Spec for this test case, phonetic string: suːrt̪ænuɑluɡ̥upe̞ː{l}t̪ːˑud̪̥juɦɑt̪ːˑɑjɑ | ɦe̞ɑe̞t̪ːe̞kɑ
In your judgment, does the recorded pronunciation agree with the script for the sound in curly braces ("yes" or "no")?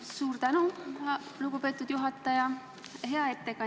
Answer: no